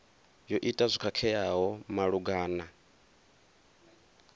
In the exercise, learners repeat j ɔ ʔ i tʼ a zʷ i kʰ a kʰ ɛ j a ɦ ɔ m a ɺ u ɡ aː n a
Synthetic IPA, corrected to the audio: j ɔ ʔ i tʼ a zʷ i kʰ a kʰ ɛ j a ɦ ɔ m a ɺ u ɡ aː n a